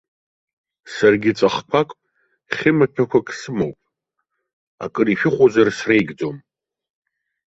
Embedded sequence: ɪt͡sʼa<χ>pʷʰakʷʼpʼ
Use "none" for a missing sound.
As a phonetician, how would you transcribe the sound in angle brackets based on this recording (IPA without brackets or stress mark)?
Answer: χ